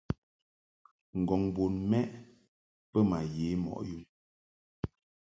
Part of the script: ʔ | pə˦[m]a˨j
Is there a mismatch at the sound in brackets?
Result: no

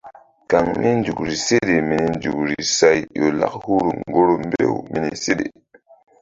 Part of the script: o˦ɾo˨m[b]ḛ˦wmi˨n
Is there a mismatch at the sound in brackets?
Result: no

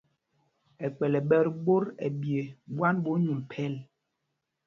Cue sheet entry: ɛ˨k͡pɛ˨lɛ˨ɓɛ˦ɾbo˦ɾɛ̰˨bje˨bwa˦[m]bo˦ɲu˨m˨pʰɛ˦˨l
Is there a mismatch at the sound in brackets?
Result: yes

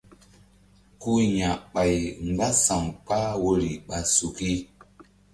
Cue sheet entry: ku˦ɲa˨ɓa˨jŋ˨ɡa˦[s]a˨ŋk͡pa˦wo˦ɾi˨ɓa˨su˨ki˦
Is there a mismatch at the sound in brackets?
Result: no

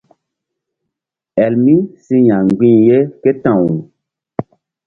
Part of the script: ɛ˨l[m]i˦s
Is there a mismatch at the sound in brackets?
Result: no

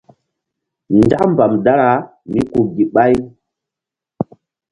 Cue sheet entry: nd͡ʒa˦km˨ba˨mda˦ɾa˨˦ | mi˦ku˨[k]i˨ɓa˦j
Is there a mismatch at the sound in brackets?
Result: yes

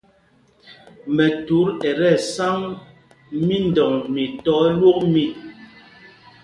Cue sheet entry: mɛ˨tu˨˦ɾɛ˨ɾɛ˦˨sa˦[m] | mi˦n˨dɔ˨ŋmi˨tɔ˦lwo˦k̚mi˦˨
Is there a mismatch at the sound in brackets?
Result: yes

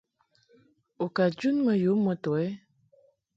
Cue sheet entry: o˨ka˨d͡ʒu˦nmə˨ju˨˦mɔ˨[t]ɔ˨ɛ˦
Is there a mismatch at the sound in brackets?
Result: no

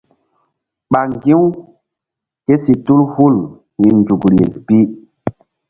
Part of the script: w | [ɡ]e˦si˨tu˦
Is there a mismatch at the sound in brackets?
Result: yes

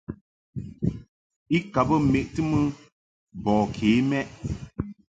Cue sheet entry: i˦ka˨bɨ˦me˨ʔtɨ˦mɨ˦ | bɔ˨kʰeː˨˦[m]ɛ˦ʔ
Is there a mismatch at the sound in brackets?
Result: no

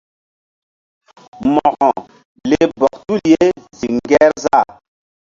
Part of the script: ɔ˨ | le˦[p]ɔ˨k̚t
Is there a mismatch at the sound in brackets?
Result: yes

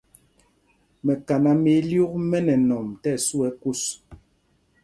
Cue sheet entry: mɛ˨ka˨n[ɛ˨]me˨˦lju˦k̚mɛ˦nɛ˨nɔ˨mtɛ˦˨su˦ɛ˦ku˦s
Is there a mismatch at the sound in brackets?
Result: yes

